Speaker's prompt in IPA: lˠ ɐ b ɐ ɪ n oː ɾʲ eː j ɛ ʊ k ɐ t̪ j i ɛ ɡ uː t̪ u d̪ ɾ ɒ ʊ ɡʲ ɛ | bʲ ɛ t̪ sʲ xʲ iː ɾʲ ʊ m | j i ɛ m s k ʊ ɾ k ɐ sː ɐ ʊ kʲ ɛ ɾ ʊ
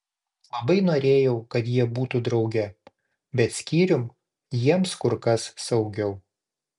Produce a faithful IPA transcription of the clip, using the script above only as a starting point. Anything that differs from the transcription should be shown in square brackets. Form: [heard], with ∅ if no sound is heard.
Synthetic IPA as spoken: lˠ ɐ b ɐ ɪ n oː ɾʲ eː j ɛ ʊ k ɐ t̪ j i ɛ [b] uː t̪ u d̪ ɾ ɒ ʊ ɡʲ ɛ | bʲ ɛ t̪ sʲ [kʲ] iː ɾʲ ʊ m | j i ɛ m s k ʊ ɾ k ɐ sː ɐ ʊ [ɡʲ] ɛ [∅] ʊ